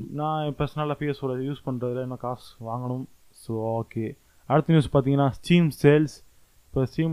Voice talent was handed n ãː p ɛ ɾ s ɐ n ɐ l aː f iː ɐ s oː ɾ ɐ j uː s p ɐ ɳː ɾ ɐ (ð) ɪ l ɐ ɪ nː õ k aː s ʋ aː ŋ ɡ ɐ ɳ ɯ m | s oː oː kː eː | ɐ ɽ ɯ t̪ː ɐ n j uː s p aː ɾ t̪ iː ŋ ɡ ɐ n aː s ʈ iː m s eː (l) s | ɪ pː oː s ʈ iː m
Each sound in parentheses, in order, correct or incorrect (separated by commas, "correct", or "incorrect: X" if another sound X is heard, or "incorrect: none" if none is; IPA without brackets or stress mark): correct, correct